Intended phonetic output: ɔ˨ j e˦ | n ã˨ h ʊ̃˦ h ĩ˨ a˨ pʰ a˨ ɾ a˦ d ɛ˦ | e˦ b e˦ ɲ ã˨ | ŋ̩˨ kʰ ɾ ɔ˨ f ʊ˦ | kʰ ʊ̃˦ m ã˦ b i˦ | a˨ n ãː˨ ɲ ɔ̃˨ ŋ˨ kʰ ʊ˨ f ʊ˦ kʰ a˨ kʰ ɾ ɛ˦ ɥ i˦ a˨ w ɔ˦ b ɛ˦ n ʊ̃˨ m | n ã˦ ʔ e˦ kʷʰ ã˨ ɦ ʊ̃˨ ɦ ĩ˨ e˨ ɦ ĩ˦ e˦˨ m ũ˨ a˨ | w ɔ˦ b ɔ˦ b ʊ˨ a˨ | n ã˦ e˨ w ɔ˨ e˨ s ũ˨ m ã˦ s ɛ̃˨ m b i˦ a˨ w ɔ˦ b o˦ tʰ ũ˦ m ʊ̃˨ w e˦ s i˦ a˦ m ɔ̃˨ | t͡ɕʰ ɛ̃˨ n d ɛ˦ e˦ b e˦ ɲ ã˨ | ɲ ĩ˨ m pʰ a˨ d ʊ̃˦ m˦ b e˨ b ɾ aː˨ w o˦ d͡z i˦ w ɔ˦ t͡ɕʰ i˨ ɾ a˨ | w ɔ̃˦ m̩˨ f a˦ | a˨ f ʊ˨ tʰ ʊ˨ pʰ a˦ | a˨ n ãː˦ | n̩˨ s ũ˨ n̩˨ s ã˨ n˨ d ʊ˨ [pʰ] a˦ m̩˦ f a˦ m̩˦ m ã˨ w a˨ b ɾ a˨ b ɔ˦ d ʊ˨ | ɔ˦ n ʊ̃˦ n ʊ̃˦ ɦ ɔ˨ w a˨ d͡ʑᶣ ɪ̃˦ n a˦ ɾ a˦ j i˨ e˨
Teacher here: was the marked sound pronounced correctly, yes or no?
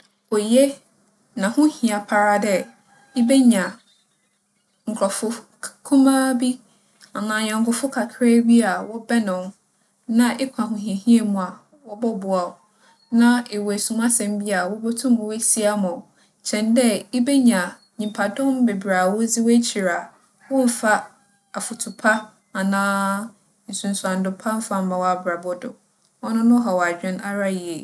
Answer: yes